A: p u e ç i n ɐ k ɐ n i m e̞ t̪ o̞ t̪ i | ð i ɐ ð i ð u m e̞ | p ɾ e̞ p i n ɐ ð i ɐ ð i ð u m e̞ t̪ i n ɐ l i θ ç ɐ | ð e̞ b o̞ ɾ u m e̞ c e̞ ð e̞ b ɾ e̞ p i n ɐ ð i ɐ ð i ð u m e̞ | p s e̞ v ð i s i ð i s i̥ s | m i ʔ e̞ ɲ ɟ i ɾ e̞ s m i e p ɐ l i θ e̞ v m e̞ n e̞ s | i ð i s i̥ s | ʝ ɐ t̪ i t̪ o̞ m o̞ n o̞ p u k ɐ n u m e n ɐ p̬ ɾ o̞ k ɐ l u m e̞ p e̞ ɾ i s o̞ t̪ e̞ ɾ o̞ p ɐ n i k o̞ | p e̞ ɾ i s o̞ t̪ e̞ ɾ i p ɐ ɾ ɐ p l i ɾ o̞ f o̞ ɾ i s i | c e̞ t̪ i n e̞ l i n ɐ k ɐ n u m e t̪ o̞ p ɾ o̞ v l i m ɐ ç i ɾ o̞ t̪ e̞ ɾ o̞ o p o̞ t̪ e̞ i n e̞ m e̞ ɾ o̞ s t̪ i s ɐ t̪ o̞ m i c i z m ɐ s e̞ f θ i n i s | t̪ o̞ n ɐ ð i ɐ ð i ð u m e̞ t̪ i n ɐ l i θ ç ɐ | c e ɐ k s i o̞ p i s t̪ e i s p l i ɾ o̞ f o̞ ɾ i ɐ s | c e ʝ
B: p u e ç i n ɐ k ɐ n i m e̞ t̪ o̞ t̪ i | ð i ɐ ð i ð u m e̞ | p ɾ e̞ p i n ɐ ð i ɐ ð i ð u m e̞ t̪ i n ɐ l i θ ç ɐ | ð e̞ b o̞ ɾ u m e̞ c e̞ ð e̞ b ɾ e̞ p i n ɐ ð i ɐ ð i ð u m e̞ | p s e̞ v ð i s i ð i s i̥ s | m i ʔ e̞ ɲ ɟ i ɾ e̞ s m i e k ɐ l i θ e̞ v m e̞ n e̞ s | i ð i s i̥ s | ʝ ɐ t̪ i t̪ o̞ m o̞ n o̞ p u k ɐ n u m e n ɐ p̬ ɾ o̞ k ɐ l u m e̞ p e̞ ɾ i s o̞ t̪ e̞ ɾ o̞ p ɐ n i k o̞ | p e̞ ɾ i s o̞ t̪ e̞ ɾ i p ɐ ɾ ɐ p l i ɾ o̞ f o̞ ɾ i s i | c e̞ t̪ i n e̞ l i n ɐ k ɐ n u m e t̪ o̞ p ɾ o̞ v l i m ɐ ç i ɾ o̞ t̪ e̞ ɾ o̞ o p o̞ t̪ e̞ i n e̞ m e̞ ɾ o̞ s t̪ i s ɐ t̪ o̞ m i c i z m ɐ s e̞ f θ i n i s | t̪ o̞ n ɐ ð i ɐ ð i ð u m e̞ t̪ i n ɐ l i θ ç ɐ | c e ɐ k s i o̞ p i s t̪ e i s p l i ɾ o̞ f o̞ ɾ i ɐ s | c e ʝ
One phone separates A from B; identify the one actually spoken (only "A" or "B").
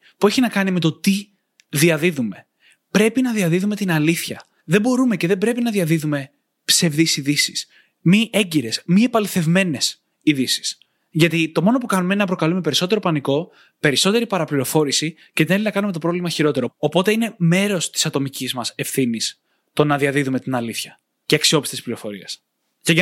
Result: A